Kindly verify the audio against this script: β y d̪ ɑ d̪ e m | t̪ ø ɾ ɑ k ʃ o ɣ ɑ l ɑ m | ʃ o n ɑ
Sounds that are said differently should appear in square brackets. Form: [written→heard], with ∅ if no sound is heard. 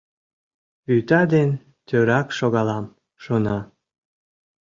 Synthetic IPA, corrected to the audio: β y [d̪→t̪] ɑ d̪ e [m→n] | t̪ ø ɾ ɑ k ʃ o ɣ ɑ l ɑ m | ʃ o n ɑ